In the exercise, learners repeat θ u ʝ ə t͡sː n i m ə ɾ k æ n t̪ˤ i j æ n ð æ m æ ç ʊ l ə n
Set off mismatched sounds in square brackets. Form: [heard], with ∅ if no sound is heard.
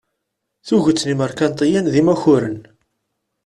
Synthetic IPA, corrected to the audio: θ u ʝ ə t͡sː n i m ə ɾ k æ n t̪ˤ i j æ n ð [i] m æ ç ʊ [ɾ] ə n